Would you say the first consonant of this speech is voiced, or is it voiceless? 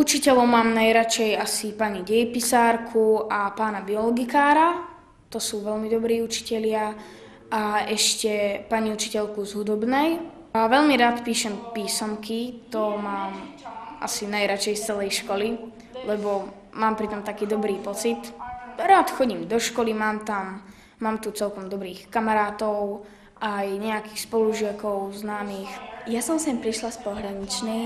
voiceless